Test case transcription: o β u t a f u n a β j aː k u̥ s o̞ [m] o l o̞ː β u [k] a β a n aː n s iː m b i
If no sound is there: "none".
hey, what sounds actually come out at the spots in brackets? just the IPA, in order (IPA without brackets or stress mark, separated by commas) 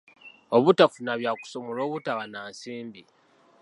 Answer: m, t